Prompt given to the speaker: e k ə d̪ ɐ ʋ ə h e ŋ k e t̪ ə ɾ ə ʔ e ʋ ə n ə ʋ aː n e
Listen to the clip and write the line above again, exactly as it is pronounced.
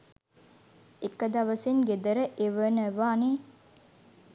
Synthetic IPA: e k ə d̪ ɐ ʋ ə s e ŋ ɡ e d̪ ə ɾ ə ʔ e ʋ ə n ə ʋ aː n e

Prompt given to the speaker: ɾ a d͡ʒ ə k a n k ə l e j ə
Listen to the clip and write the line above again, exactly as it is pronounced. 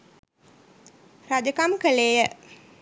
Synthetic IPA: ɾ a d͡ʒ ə k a m k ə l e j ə

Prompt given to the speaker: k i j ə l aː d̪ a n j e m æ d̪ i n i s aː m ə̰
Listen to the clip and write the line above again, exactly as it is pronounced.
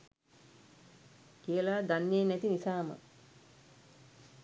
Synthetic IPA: k i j ə l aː d̪ a n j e n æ t̪ i n i s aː m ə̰

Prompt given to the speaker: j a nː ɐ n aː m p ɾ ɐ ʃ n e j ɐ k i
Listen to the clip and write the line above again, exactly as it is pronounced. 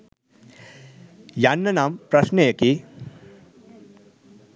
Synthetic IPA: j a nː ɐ n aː m p ɾ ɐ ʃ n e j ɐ k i

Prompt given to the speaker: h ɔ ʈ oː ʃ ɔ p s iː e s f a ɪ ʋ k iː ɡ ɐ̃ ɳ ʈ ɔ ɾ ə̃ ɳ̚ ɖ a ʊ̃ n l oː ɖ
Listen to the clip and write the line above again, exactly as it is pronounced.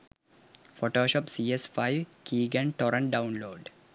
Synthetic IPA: f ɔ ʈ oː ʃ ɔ p s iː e s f a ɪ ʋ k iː ɡ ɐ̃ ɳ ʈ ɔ ɾ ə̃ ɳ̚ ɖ a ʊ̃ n l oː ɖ

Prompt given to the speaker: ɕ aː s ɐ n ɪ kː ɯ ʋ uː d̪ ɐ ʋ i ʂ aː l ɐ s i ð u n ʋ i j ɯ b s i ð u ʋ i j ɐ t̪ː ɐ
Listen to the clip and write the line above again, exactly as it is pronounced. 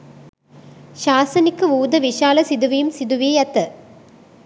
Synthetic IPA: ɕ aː s ɐ n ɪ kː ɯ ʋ uː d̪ ɐ ʋ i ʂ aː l ɐ s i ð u ʋ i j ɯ m s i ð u ʋ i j ɐ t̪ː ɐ

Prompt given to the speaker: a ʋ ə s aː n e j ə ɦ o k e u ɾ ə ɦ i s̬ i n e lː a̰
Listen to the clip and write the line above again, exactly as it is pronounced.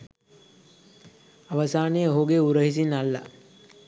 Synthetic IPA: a ʋ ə s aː n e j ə ɦ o ɡ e u ɾ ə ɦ i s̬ i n a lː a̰

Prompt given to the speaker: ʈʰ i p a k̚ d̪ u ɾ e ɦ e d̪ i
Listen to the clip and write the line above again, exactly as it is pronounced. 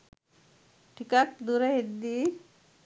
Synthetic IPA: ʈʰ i k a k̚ d̪ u ɾ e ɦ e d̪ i

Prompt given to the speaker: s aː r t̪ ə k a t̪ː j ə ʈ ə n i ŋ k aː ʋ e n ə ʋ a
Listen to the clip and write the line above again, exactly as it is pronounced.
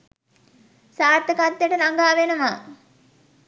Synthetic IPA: s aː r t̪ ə k a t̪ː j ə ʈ ə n a ŋ ɡ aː ʋ e n ə ʋ a

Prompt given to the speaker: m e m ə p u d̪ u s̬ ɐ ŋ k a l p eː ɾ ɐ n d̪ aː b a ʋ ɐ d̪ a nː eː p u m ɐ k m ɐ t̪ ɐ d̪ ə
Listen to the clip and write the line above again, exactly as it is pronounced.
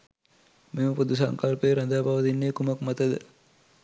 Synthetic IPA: m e m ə p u d̪ u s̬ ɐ ŋ k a l p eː ɾ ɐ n d̪ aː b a ʋ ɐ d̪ i nː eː k u m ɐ k m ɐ t̪ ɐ d̪ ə

